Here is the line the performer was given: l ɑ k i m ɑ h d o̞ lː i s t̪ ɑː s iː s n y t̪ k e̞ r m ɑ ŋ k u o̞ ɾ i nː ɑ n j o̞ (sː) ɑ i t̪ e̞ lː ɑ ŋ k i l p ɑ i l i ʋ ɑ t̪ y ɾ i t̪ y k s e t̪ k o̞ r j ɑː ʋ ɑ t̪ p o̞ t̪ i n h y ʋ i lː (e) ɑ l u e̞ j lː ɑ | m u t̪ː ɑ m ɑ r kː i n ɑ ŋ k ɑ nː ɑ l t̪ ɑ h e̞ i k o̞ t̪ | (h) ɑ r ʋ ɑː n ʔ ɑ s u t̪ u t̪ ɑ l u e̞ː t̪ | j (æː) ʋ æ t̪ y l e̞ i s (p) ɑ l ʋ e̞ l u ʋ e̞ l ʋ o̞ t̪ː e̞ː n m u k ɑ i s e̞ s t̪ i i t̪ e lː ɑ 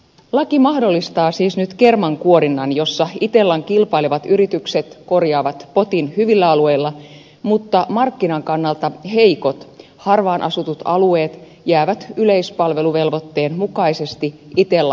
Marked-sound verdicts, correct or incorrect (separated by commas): correct, incorrect, correct, correct, correct